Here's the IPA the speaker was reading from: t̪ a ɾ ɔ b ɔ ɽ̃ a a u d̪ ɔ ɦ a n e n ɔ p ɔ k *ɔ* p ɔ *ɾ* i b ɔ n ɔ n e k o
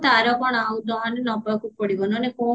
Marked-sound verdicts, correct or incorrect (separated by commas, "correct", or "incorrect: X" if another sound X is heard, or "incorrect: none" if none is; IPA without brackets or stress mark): incorrect: u, incorrect: ɽ